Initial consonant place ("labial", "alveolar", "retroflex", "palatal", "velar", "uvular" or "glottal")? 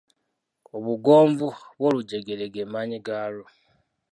labial